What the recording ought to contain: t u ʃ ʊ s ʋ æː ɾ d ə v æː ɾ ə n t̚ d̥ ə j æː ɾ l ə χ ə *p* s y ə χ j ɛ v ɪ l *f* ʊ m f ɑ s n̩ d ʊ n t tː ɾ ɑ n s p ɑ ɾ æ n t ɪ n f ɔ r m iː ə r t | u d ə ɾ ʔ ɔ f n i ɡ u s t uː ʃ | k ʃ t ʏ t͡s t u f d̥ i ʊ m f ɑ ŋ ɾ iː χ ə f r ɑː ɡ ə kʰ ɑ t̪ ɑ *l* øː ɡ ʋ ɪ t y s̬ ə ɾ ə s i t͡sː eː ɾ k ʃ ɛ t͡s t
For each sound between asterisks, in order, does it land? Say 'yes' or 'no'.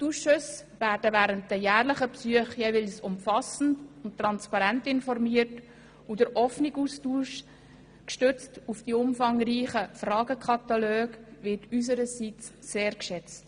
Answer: yes, no, yes

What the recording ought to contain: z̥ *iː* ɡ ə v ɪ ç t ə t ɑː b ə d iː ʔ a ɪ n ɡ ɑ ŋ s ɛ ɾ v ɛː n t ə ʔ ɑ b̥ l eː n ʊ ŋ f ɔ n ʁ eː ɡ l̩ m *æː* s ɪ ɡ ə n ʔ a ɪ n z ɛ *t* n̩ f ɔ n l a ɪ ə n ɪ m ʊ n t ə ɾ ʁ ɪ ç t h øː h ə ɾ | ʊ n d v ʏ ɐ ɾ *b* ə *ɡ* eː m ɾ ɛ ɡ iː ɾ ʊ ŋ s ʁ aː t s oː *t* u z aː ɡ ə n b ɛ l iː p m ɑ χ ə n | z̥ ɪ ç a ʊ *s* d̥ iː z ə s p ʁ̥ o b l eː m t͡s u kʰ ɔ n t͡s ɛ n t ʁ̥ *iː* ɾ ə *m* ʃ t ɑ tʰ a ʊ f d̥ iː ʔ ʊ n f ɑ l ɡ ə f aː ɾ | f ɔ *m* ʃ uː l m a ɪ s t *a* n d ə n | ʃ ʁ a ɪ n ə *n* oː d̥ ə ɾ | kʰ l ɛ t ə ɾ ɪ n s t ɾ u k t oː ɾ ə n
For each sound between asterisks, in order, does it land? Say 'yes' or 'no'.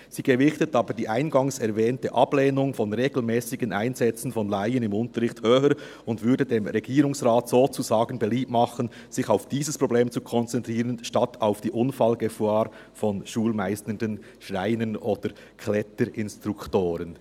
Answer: yes, no, no, no, no, no, no, yes, no, no, no, yes

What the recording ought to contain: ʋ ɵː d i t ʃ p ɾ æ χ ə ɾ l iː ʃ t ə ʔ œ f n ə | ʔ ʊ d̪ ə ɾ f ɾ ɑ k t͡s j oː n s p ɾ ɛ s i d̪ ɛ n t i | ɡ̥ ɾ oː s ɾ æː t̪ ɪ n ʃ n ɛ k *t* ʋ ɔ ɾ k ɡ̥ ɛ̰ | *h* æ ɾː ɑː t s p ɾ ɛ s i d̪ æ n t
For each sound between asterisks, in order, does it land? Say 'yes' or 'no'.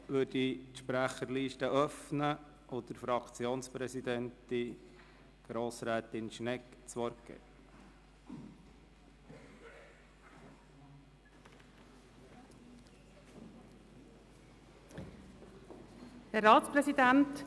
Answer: no, yes

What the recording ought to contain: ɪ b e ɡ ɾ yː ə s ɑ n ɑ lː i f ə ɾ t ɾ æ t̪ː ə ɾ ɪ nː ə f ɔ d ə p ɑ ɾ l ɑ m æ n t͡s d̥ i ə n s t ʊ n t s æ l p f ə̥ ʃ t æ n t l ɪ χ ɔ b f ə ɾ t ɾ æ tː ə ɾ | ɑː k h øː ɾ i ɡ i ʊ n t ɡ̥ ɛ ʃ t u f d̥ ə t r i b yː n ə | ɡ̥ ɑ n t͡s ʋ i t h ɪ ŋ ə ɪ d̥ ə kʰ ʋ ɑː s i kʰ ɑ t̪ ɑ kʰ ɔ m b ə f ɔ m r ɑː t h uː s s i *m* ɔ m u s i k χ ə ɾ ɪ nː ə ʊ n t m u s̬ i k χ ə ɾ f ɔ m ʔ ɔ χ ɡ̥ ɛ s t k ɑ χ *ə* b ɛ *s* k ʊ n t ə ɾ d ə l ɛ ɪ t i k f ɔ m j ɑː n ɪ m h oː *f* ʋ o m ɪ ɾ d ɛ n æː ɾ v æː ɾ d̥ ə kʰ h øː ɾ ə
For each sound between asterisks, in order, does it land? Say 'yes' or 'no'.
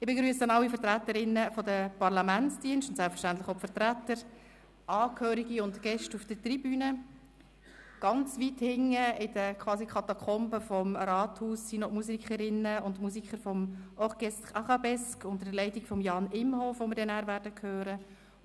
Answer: no, no, yes, yes

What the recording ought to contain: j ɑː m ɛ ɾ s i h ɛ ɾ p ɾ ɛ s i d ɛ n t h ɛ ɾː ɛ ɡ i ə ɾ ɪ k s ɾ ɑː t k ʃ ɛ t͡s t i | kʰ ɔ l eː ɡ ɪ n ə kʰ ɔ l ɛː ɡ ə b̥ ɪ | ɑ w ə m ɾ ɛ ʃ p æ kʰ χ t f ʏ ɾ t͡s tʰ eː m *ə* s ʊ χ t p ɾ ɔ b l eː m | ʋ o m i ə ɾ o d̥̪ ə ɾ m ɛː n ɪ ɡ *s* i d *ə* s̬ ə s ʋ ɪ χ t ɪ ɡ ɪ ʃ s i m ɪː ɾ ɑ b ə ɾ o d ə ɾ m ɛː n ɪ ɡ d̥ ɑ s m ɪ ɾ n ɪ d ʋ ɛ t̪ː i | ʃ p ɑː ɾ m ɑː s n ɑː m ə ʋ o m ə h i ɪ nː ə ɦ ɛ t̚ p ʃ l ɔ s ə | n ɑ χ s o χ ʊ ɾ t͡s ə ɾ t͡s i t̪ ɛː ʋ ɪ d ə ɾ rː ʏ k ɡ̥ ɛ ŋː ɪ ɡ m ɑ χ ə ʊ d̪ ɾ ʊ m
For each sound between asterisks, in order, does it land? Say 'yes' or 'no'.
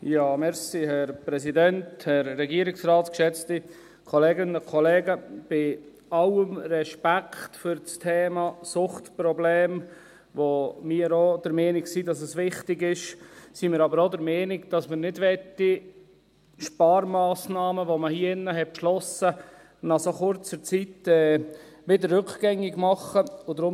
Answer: no, yes, no

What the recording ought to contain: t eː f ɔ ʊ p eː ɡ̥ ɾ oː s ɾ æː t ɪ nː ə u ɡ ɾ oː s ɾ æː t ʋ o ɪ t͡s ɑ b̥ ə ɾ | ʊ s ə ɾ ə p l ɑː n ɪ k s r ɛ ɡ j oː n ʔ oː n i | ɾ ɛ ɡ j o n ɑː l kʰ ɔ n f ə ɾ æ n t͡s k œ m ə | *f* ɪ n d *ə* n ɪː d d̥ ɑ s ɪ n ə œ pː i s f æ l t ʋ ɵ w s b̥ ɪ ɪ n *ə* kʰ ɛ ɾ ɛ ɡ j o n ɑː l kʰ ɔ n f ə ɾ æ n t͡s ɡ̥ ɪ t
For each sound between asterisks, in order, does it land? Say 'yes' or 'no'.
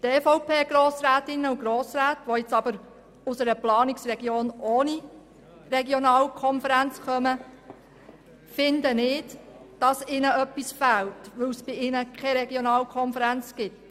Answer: yes, yes, yes

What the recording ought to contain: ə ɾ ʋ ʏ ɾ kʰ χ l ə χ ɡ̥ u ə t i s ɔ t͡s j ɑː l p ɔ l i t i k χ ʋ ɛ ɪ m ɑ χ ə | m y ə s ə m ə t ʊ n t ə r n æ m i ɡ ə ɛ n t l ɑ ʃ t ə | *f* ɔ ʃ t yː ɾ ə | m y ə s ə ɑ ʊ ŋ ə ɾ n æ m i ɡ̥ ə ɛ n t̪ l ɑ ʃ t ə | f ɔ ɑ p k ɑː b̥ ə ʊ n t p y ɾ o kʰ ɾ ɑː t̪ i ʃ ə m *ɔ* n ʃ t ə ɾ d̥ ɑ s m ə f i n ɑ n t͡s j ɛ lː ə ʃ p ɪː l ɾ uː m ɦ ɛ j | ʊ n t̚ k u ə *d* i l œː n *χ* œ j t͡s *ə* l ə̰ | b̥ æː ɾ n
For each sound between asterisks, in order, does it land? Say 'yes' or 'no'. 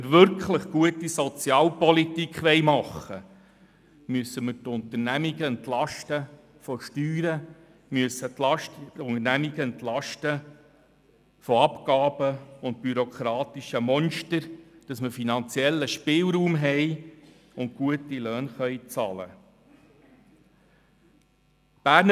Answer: yes, yes, no, yes, no

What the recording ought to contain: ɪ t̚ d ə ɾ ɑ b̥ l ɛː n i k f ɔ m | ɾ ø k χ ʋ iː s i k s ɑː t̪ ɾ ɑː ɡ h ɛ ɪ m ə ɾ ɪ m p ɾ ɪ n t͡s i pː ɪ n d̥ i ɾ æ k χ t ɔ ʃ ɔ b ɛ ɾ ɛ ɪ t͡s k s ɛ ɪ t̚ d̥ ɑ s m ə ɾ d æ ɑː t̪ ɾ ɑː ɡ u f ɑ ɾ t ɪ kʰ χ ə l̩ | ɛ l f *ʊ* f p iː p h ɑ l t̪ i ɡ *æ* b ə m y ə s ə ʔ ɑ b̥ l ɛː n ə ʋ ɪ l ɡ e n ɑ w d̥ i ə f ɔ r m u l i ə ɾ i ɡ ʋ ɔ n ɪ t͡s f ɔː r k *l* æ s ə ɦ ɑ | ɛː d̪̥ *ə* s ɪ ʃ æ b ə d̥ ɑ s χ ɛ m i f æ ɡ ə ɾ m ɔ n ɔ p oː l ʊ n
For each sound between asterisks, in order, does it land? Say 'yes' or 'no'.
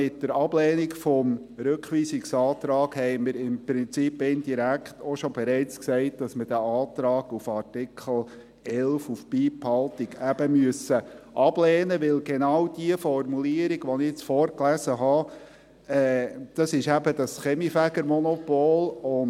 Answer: no, yes, yes, no

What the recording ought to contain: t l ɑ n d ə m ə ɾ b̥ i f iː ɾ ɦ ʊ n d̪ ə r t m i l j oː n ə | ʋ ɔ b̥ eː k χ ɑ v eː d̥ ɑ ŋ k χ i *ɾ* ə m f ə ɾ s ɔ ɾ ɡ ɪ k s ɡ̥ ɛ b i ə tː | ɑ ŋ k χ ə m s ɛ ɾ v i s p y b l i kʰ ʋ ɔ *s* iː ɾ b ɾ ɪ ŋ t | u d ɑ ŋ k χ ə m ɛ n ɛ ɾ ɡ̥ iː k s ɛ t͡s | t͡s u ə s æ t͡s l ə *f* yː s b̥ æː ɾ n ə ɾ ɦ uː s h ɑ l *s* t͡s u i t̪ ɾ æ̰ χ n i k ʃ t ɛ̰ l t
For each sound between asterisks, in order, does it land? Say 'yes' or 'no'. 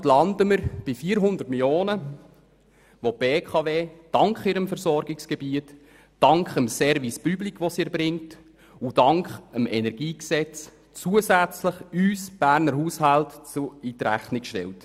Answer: yes, yes, no, no

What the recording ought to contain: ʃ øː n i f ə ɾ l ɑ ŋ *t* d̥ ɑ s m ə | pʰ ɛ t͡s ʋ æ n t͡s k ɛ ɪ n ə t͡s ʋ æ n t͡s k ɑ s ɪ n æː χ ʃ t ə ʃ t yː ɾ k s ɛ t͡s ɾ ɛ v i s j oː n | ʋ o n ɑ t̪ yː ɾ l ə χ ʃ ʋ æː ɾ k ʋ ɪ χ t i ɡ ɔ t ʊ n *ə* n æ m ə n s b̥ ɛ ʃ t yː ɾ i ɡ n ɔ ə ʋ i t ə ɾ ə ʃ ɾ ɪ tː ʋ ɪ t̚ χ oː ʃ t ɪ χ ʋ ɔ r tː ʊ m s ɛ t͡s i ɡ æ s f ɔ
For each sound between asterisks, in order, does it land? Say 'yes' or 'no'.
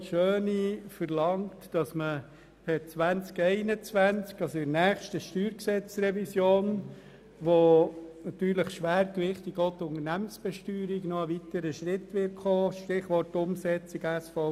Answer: yes, yes

